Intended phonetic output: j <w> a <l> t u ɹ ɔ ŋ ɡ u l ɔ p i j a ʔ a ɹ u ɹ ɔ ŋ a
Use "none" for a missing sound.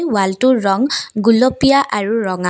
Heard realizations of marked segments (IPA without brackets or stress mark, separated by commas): w, l